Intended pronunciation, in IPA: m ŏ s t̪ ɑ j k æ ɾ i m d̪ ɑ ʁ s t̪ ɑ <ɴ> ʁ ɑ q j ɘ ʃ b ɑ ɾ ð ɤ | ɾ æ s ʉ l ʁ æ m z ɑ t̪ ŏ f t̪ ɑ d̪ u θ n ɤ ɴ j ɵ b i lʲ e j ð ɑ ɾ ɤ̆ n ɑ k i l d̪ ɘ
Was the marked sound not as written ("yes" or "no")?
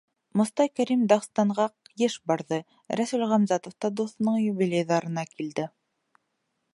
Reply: no